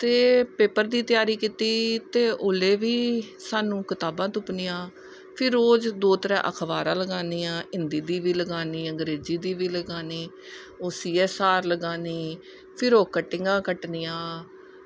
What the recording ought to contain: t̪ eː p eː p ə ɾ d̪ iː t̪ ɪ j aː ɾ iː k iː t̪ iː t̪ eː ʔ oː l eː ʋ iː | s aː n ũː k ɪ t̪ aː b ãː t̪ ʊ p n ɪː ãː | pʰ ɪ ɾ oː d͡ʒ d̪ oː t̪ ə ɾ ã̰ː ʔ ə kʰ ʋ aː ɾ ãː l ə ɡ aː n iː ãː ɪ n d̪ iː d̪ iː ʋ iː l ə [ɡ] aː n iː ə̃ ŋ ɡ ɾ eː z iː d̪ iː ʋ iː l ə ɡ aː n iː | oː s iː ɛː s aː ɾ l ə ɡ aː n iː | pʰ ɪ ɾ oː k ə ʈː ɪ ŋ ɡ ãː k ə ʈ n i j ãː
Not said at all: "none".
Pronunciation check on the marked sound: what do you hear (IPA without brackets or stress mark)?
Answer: ɡ